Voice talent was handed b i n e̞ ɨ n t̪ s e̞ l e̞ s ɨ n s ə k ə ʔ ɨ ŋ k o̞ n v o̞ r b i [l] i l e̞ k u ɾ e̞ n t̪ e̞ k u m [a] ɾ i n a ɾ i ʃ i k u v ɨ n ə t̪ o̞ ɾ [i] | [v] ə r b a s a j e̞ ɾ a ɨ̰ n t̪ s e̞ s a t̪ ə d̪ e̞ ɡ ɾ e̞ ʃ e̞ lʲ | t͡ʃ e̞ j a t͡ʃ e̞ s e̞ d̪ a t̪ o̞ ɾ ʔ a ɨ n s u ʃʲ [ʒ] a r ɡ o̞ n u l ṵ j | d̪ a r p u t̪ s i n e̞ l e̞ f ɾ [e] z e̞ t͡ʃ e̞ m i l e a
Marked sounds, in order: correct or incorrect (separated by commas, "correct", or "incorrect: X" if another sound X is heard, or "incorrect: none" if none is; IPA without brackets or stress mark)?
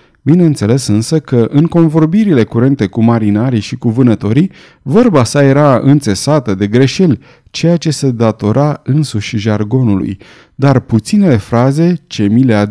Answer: incorrect: ɾ, correct, correct, correct, correct, incorrect: a